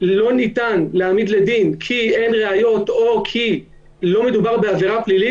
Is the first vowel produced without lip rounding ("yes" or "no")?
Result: no